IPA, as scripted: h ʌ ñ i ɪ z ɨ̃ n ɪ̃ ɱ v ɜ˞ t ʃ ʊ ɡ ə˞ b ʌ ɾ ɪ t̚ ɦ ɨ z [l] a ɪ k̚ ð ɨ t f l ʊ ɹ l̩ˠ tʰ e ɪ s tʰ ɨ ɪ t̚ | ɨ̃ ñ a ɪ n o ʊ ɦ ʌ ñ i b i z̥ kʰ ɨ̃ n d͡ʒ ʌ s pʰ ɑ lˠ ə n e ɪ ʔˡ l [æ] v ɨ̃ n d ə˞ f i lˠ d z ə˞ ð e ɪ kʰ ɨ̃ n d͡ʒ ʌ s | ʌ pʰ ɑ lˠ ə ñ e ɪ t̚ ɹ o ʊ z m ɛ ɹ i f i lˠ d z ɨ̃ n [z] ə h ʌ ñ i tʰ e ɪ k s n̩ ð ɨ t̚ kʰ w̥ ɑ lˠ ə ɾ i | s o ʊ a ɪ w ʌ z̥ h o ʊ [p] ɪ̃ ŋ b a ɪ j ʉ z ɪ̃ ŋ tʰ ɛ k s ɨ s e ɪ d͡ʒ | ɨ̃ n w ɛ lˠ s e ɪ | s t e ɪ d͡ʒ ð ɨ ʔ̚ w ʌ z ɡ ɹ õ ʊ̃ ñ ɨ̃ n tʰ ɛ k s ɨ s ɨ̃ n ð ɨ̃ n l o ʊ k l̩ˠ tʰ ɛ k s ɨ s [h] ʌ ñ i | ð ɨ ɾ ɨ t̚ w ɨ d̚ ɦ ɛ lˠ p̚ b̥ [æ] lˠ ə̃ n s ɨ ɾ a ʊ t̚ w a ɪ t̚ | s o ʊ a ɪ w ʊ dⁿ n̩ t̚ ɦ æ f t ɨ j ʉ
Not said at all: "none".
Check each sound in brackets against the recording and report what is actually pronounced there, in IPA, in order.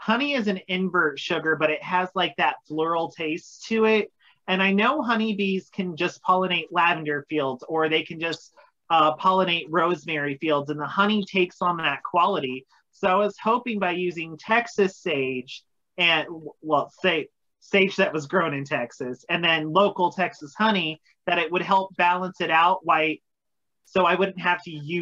l, æ, ð, p, h, æ

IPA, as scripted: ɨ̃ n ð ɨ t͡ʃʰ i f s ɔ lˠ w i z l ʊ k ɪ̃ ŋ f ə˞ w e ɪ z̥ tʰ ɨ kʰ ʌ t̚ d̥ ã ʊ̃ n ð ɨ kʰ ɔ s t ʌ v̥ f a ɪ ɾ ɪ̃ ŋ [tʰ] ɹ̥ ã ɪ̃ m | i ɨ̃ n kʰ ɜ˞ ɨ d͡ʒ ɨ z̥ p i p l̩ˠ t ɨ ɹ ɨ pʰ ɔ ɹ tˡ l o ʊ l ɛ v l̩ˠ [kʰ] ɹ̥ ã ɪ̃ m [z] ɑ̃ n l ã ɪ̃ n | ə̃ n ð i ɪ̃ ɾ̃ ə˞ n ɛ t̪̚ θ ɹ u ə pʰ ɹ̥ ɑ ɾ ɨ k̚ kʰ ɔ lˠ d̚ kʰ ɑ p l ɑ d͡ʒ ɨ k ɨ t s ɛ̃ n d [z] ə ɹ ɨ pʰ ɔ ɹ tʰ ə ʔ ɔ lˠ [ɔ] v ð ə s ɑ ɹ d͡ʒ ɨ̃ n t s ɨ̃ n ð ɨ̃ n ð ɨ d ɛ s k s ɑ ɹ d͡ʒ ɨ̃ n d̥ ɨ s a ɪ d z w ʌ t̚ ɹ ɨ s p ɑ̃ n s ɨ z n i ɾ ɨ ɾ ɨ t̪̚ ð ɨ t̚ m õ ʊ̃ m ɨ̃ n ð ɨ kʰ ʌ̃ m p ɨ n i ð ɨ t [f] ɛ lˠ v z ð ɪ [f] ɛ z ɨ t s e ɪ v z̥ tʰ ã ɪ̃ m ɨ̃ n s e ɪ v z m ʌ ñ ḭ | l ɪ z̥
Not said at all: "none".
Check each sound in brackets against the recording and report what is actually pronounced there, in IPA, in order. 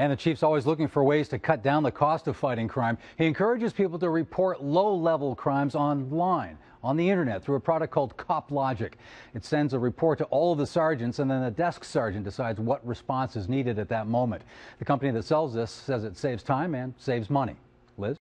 kʰ, kʰ, z, z, ʌ, s, s

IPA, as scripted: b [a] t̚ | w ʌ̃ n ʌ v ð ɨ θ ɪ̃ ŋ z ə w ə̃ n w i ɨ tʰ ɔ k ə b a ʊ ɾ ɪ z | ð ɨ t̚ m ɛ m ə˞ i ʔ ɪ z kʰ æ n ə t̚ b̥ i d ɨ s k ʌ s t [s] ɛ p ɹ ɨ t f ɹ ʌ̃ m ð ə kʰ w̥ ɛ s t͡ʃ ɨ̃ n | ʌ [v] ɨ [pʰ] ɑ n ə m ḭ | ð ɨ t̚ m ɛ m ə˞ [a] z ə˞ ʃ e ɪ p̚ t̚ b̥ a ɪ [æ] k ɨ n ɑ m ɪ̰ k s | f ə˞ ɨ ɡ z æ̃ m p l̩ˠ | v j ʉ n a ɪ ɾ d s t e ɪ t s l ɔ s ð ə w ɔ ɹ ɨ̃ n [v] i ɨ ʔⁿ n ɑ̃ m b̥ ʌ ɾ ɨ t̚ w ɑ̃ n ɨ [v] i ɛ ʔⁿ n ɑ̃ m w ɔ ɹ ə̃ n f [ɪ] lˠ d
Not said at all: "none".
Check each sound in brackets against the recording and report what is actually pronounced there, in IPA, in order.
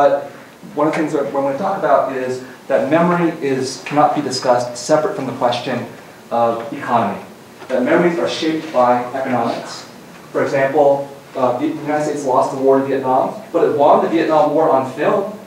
ʌ, s, v, kʰ, i, ɛ, v, v, ɪ

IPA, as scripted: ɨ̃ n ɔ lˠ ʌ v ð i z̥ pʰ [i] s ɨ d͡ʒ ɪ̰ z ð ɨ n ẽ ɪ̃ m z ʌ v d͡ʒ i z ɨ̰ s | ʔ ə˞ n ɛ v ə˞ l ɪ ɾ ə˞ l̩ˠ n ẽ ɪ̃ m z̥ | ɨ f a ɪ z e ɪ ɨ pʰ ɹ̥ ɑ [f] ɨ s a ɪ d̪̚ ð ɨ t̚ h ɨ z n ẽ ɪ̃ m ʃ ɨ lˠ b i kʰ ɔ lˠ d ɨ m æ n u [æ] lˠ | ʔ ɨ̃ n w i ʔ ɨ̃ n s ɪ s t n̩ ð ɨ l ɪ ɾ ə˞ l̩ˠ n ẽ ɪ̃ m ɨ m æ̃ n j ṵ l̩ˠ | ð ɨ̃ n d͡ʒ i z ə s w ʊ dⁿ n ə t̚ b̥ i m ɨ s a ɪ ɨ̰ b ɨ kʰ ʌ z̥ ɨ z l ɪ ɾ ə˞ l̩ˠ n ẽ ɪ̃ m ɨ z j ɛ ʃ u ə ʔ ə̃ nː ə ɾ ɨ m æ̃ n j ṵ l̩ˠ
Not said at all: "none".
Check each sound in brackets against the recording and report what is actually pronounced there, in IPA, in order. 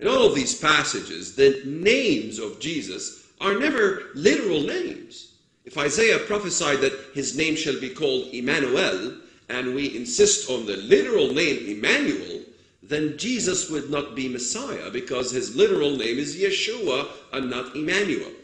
æ, f, ɛ

